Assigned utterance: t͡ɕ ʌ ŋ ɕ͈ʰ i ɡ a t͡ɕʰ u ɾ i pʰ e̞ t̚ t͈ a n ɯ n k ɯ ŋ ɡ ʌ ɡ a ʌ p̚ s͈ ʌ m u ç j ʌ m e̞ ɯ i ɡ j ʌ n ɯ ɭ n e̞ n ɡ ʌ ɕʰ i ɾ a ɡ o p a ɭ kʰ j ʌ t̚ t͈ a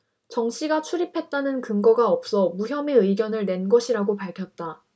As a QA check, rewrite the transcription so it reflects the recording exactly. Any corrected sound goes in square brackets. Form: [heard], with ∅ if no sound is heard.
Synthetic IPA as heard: t͡ɕ ʌ ŋ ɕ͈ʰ i ɡ a t͡ɕʰ u ɾ i pʰ e̞ t̚ t͈ a n ɯ n k ɯ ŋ ɡ ʌ ɡ a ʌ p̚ s͈ ʌ m u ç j ʌ m e̞ ɯ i ɡ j ʌ n ɯ ɭ n e̞ n ɡ ʌ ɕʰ i ɾ a ɡ o p a ɭ kʰ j ʌ t̚ t͈ a